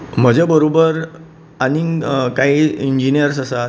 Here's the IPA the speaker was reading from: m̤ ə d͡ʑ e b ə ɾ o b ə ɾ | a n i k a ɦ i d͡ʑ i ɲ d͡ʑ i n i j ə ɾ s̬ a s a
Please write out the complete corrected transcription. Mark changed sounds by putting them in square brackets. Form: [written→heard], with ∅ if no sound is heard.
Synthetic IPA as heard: m̤ ə d͡ʑ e b ə ɾ o b ə ɾ | a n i k a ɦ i [d͡ʑ→∅] i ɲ d͡ʑ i n i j ə ɾ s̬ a s a